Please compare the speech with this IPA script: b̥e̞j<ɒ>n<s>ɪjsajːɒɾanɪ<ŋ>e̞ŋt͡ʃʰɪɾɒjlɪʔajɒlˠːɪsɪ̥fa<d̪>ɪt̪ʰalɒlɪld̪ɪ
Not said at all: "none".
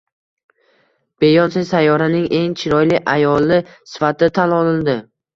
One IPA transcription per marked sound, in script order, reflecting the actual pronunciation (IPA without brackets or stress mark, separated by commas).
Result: ɒ, s, ŋ, t̪